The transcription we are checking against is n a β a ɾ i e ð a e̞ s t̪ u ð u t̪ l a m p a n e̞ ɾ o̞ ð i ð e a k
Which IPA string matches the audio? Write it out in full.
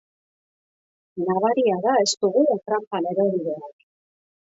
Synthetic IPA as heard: n a β a ɾ i a ð a e̞ s t̪ u ɣ u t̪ ɾ a m p a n e̞ ɾ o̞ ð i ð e a k